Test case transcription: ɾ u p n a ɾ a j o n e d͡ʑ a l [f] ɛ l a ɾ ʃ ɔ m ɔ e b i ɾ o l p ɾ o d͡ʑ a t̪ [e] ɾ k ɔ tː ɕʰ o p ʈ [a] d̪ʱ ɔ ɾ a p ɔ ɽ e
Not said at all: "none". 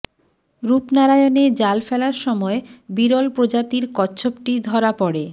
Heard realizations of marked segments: f, i, i

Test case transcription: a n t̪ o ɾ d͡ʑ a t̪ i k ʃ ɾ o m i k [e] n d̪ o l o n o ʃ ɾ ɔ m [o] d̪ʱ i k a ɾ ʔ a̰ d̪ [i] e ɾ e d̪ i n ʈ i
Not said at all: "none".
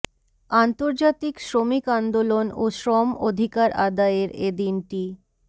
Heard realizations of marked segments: a, o, a

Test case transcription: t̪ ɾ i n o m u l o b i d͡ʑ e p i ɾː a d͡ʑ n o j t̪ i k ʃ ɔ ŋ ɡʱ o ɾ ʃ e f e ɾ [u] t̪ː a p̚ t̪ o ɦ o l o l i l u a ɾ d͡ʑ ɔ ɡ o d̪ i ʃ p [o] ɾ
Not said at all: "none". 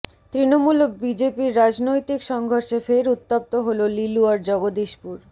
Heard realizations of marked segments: u, u

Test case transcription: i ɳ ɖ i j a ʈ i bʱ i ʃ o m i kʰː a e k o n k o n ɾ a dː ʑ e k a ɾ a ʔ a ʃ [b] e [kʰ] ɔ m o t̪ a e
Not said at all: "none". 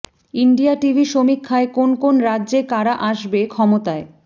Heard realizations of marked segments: b, kʰ

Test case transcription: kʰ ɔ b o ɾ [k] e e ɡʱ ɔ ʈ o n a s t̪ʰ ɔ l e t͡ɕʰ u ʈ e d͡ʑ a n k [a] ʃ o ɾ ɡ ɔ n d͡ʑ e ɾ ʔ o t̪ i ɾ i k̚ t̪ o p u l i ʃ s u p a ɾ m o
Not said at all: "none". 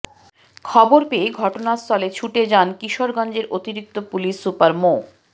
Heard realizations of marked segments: p, i

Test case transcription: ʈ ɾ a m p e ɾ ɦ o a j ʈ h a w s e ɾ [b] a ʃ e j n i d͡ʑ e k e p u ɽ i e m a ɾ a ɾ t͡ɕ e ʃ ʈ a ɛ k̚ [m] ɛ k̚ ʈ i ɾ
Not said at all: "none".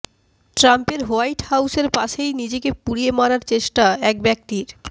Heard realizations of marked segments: p, b

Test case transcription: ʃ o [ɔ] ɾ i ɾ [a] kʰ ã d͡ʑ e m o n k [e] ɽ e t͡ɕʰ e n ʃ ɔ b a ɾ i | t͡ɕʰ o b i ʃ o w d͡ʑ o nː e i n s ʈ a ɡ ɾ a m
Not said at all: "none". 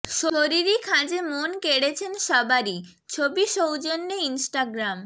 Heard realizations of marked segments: o, i, e

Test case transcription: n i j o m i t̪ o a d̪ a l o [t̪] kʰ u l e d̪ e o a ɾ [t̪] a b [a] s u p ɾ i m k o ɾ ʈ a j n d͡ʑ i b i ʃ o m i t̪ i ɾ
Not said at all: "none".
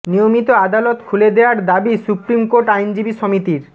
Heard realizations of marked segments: t̪, d̪, i

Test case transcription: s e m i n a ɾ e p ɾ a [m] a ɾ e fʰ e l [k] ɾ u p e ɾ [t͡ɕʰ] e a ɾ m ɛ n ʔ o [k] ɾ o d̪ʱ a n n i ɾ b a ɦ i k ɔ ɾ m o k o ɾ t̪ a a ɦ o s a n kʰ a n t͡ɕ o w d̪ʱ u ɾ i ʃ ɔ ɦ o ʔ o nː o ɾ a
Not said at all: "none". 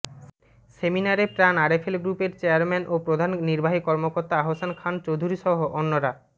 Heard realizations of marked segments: n, ɡ, t͡ɕ, p

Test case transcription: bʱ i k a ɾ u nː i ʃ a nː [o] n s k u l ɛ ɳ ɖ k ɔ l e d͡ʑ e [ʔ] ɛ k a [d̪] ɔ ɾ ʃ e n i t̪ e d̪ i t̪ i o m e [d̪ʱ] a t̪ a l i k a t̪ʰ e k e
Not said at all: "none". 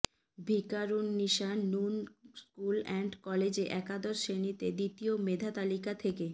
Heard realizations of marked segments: u, ʔ, d̪, d̪ʱ

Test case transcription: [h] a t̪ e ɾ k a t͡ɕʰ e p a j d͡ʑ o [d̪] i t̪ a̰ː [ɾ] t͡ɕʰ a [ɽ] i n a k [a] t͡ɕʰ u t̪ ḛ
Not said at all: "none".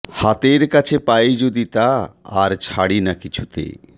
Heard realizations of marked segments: h, d̪, ɾ, ɽ, i

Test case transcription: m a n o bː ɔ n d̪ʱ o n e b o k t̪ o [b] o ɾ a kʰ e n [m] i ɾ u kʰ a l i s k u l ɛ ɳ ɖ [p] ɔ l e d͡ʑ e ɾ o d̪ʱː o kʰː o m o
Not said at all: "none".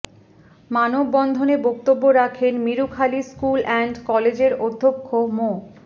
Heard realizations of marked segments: bː, m, k

